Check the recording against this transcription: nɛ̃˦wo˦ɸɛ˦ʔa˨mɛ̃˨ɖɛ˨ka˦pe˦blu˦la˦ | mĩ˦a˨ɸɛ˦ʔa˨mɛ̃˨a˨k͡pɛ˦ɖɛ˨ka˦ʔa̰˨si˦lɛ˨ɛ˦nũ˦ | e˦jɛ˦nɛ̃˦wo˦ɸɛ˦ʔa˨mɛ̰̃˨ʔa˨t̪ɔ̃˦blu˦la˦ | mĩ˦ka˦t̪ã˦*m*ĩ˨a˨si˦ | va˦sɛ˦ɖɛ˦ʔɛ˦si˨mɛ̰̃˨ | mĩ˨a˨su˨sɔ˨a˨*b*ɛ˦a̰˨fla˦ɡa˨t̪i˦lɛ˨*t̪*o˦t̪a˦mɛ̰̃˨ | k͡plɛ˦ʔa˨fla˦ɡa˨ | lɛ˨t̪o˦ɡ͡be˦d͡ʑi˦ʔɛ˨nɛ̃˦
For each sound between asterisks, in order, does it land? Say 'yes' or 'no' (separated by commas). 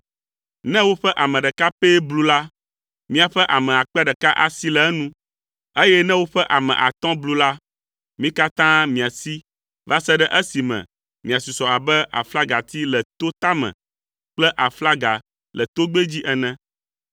yes, yes, yes